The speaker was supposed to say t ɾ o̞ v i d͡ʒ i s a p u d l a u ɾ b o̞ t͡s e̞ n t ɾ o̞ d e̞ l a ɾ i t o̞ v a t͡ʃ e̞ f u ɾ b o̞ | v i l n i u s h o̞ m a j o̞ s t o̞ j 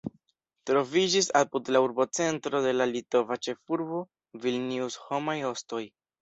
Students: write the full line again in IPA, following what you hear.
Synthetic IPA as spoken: t ɾ o̞ v i d͡ʒ i s a p u d l a u ɾ b o̞ t͡s e̞ n t ɾ o̞ d e̞ l a l i t o̞ v a t͡ʃ e̞ f u ɾ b o̞ | v i l n i u s h o̞ m a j o̞ s t o̞ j